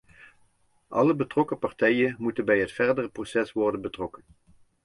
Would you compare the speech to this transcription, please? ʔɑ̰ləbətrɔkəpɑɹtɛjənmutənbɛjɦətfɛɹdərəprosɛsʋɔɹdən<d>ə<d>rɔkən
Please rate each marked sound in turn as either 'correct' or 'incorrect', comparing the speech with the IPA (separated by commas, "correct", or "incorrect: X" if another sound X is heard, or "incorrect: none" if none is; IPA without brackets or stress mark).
incorrect: b, incorrect: t